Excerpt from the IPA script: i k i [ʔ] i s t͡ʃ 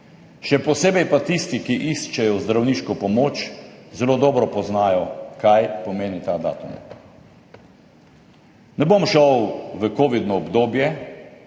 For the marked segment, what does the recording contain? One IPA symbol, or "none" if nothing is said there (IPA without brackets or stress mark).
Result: ʔ